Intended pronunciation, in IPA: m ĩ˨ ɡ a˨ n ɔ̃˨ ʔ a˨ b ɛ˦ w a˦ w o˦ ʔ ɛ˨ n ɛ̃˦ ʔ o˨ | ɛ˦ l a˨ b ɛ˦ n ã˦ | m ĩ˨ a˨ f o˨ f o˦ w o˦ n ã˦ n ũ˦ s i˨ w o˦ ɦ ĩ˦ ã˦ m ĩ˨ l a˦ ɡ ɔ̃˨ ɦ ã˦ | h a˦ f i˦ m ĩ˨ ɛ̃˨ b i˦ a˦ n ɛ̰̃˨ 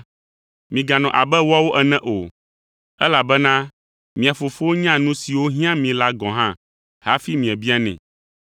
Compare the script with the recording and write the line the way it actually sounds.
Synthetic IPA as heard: m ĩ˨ ɡ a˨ n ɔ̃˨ ʔ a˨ b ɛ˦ w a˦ w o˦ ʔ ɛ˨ n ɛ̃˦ ʔ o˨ | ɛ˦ l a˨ b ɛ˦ n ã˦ | m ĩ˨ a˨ f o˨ f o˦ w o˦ ɲ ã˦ n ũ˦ s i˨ w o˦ ɦ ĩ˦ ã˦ m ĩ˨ l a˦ ɡ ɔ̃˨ ɦ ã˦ | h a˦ f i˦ m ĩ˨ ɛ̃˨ b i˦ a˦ n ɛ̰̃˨